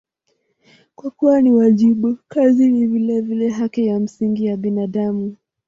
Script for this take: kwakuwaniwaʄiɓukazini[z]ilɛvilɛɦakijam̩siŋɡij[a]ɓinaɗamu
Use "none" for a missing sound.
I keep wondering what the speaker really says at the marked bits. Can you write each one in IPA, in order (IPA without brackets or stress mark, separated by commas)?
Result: v, a